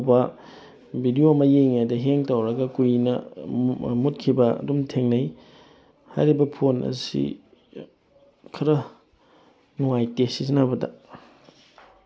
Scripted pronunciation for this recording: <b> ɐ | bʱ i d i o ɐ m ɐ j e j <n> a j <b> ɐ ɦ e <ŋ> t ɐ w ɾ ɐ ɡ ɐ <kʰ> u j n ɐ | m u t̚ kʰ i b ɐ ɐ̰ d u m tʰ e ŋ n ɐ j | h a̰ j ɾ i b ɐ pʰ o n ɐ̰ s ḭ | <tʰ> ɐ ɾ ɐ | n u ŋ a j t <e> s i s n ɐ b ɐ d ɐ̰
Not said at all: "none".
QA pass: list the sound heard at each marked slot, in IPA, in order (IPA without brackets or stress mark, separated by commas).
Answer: b, ŋ, d, ŋ, k, kʰ, e